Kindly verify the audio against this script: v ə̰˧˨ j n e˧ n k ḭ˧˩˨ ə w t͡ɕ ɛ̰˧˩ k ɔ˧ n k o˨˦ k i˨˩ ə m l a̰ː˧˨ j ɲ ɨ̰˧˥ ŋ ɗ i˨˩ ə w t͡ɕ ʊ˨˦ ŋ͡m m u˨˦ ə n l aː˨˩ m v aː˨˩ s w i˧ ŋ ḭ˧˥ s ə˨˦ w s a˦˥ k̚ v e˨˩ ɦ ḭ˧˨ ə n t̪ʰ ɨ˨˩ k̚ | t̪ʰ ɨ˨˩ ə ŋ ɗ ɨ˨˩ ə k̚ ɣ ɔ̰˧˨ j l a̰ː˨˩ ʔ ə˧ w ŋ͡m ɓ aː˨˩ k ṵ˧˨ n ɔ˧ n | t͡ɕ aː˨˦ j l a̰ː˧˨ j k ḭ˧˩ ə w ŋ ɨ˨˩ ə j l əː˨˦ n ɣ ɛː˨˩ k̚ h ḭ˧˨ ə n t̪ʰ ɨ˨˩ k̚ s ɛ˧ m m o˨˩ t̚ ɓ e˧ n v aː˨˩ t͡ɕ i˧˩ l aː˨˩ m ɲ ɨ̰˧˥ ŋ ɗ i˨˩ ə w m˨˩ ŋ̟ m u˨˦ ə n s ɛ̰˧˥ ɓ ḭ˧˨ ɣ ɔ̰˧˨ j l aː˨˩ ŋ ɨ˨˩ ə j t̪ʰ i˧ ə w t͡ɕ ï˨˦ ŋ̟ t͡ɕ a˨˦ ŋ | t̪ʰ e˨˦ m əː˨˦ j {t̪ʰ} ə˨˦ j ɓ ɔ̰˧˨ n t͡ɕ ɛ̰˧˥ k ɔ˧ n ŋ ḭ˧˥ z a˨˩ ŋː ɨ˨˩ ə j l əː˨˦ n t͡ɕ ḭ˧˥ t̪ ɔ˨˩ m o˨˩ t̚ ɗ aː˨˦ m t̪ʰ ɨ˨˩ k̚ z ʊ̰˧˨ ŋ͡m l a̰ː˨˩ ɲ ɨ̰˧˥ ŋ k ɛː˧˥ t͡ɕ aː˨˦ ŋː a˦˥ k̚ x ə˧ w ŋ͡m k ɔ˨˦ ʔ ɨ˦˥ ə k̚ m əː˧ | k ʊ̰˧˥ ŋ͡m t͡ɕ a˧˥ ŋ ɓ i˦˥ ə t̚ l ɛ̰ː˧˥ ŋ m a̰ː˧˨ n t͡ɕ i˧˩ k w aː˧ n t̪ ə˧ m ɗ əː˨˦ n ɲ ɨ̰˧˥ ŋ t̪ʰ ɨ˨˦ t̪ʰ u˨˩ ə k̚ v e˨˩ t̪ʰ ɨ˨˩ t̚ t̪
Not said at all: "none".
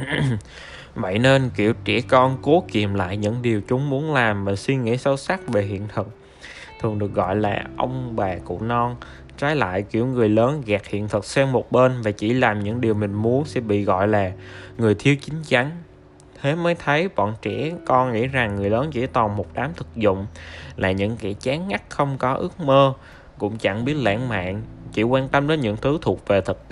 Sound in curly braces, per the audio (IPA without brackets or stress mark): t̪ʰ